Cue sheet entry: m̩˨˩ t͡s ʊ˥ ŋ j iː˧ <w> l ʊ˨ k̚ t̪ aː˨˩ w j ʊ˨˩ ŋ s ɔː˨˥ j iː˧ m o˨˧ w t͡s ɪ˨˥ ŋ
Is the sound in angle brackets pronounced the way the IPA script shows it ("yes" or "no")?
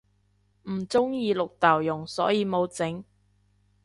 no